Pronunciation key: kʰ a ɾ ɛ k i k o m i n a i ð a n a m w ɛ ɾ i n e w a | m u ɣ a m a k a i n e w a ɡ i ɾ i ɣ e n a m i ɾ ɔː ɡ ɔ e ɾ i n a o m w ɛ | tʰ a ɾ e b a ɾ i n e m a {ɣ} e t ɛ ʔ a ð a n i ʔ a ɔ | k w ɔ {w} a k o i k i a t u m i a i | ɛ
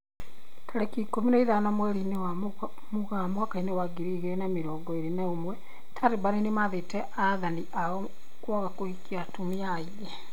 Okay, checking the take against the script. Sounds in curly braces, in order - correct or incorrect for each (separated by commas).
incorrect, incorrect